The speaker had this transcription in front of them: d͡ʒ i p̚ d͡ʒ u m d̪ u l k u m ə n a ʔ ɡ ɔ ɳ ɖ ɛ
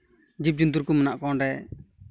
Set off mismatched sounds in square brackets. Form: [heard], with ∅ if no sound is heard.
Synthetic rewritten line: d͡ʒ i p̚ d͡ʒ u [n] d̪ u [ɾ] k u m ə n a ʔ [k] ɔ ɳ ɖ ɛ